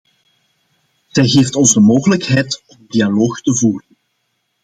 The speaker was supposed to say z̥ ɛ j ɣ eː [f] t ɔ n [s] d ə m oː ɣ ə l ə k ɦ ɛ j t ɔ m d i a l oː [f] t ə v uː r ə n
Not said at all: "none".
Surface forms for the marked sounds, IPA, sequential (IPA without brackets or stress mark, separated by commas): f, z, x